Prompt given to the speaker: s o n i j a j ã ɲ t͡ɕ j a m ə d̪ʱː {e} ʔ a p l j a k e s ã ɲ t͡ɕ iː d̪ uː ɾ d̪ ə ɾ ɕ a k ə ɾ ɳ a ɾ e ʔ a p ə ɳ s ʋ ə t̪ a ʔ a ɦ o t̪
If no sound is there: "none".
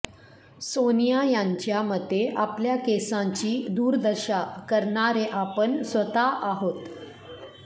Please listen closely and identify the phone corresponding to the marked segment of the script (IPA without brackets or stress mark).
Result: e